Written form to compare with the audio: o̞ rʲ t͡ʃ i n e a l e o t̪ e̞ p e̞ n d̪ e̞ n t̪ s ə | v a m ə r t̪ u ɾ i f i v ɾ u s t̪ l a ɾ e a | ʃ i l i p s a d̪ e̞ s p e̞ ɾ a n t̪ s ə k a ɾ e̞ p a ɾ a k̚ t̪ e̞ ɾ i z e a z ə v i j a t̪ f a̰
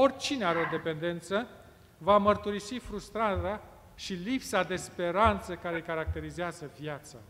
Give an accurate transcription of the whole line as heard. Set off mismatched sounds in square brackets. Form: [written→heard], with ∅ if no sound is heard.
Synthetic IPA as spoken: o̞ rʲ t͡ʃ i n e a [l→ɾ] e o [t̪→d̪] e̞ p e̞ n d̪ e̞ n t̪ s ə | v a m ə r t̪ u ɾ i [f→s] i [v→f] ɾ u s t̪ [l→ɾ] a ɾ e a | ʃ i l i p s a d̪ e̞ s p e̞ ɾ a n t̪ s ə k a ɾ e̞ [p→k] a ɾ a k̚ t̪ e̞ ɾ i z e a z ə v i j a t̪ [f→s] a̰